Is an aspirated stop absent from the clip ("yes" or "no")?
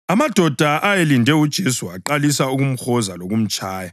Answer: yes